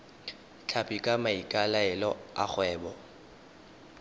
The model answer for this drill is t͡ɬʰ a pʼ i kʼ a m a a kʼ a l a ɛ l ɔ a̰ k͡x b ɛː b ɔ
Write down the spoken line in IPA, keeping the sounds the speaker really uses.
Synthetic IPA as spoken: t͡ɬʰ a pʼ i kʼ a m a i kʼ a l a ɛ l ɔ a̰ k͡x w ɛː b ɔ